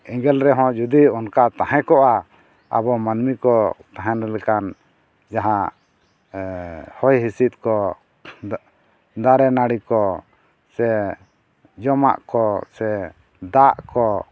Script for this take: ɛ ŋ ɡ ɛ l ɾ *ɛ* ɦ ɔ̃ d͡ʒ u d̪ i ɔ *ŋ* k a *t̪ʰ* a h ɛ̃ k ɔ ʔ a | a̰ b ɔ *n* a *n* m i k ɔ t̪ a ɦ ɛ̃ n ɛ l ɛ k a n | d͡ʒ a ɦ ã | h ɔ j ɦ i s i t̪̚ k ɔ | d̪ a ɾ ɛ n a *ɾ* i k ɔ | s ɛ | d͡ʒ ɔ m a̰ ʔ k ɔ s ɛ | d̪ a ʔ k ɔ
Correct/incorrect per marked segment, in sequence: correct, incorrect: n, incorrect: t̪, incorrect: m, correct, incorrect: ɽ

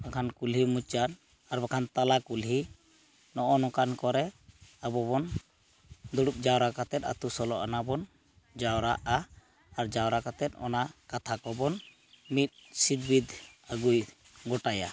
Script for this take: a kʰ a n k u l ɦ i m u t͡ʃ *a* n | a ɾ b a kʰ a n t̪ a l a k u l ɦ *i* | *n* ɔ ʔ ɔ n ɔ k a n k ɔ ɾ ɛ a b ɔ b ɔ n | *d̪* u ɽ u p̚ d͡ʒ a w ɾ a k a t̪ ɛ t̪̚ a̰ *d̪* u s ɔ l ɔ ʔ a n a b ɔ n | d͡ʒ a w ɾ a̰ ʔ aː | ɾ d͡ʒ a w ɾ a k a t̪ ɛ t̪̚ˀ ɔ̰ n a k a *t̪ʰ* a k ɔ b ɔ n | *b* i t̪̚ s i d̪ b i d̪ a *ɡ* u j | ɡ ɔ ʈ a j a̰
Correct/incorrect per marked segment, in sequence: correct, correct, correct, correct, incorrect: t̪, correct, incorrect: m, correct

